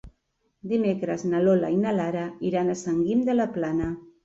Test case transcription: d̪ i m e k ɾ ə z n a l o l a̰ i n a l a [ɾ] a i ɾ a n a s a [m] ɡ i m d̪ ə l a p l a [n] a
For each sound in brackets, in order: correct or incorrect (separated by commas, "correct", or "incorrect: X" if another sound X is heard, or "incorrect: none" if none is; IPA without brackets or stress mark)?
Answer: correct, incorrect: ŋ, correct